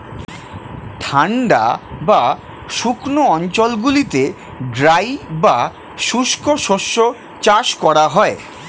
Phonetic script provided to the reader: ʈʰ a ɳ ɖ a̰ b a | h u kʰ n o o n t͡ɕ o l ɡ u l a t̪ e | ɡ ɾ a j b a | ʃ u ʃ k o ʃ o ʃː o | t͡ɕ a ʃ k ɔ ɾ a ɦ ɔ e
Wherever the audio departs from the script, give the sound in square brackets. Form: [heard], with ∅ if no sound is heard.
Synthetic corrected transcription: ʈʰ a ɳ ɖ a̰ b a | [ʃ] u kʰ n o [ɔ] n t͡ɕ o l ɡ u l [i] t̪ e | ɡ ɾ a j b a | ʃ u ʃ k o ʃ o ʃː o | t͡ɕ a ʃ k ɔ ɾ a ɦ ɔ e